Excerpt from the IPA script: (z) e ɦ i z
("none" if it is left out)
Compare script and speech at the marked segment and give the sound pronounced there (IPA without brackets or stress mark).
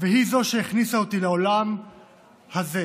v